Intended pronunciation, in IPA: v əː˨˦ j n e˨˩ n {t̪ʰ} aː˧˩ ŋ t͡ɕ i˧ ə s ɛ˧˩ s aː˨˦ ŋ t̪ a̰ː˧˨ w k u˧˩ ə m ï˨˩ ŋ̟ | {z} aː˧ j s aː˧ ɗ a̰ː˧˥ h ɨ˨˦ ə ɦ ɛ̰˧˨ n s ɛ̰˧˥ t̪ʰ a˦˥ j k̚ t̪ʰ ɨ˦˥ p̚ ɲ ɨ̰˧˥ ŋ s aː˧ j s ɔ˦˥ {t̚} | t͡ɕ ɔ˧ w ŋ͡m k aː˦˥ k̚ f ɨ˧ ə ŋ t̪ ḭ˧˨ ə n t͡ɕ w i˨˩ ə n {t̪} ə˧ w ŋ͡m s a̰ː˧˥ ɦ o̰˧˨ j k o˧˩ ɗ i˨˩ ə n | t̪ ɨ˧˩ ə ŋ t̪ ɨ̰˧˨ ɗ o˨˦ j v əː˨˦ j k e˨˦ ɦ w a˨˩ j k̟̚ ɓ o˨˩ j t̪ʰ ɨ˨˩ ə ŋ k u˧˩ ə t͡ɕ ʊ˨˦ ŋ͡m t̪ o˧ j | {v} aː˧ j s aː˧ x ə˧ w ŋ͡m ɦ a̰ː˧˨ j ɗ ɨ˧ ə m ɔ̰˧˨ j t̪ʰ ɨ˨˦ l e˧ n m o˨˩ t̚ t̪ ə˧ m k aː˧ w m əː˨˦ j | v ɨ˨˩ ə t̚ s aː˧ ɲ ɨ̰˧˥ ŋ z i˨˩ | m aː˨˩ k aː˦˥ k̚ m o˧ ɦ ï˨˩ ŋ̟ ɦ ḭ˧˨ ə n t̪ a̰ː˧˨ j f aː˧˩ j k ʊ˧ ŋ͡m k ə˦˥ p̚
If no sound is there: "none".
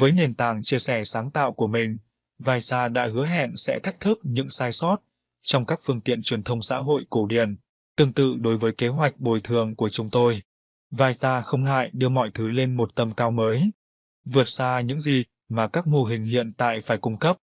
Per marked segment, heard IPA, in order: t̪, v, t̚, t̪ʰ, v

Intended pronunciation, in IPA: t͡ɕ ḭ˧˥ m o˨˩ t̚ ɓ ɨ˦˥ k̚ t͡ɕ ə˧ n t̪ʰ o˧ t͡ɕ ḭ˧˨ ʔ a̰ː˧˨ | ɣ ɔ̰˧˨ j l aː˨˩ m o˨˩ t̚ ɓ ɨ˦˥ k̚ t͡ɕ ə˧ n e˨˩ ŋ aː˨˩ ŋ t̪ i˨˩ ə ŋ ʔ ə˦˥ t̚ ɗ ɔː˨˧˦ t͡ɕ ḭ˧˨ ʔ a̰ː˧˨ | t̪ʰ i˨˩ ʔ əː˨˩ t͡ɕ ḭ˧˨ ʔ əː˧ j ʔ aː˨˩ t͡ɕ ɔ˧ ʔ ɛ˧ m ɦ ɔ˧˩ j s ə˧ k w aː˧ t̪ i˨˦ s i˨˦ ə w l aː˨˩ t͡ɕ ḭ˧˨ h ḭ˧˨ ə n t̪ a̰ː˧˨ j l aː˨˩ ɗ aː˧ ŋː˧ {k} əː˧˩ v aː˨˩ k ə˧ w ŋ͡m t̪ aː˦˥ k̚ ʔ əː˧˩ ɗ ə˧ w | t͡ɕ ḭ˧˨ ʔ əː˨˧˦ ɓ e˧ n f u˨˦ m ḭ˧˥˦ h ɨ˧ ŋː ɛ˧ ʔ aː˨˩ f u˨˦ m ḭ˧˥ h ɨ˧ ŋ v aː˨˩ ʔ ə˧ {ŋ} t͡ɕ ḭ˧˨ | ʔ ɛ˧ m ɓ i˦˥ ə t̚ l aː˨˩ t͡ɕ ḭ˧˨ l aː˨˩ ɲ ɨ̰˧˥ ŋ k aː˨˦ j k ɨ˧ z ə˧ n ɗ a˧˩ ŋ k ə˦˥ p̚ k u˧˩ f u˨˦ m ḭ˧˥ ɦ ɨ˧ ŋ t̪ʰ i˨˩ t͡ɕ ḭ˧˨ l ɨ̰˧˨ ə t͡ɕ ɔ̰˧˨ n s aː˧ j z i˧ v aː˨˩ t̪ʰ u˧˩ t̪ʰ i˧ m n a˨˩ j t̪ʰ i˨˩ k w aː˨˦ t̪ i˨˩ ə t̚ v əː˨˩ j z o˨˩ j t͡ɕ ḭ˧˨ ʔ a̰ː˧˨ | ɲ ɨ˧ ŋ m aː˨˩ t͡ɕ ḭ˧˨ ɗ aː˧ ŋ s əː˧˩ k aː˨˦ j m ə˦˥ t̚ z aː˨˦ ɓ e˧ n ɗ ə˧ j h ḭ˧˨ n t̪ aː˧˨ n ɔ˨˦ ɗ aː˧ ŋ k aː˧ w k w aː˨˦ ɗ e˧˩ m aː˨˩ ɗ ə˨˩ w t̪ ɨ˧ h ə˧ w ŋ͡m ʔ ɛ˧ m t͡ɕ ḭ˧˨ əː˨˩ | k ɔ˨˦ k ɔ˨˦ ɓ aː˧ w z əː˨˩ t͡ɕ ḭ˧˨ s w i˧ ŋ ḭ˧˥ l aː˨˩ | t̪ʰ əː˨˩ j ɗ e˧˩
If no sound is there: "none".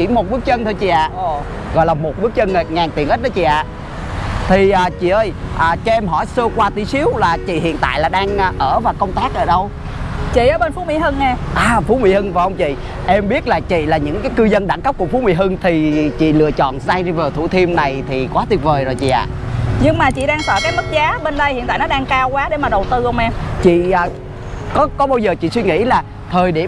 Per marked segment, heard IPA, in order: ʔ, ŋ͡m

